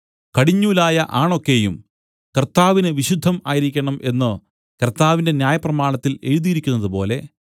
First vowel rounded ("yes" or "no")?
no